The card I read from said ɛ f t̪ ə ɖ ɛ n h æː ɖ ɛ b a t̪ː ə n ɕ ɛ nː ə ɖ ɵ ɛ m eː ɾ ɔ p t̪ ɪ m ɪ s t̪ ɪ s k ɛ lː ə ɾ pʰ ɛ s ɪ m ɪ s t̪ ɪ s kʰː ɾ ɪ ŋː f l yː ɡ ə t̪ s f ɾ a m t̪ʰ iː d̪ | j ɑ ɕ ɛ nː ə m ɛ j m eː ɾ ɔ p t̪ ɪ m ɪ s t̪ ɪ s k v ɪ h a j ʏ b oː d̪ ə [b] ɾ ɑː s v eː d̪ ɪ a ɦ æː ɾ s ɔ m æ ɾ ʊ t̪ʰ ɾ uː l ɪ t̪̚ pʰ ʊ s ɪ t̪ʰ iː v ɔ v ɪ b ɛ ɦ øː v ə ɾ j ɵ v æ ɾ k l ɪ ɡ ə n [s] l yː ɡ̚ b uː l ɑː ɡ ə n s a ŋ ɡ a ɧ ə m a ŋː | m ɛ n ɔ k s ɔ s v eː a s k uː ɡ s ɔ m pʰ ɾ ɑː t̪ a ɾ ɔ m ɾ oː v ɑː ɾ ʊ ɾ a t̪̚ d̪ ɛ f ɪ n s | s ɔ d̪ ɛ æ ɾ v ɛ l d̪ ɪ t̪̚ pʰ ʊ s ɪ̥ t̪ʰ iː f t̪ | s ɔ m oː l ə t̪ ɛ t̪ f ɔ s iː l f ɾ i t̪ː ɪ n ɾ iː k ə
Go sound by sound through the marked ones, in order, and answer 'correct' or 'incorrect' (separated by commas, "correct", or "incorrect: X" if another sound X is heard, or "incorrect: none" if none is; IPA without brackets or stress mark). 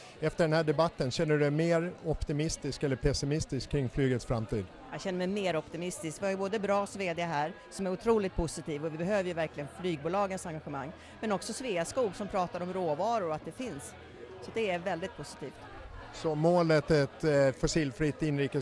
correct, incorrect: f